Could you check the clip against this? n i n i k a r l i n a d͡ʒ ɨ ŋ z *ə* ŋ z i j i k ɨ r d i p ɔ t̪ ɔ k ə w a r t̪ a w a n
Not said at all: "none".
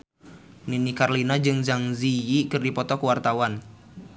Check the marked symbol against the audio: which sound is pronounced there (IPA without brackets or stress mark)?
a